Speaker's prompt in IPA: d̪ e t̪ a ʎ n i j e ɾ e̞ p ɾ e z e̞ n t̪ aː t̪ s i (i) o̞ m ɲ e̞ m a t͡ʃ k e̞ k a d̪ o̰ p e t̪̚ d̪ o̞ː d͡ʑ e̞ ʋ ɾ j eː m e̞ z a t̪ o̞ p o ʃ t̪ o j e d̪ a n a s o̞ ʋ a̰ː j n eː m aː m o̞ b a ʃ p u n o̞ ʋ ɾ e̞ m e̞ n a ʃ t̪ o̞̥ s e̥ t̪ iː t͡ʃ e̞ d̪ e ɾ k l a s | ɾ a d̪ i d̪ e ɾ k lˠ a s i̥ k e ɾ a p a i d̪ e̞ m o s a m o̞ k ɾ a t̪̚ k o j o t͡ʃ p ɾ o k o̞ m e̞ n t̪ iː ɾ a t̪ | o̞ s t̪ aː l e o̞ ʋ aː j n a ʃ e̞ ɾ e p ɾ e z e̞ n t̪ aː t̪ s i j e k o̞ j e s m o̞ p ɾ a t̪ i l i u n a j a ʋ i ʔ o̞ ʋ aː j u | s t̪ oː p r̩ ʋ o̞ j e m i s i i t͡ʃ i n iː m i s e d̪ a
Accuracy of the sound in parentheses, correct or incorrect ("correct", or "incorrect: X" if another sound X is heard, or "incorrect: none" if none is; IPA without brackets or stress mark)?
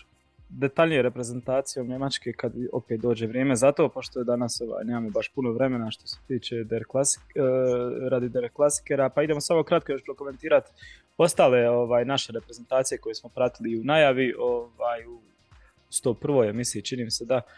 incorrect: j